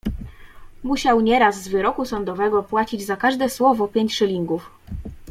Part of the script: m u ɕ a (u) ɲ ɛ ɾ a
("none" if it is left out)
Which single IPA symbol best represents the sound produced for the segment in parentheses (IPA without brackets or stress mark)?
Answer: w